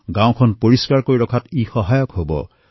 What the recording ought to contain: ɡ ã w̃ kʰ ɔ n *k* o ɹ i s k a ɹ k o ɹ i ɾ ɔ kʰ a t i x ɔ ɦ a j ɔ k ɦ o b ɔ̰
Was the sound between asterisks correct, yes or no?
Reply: no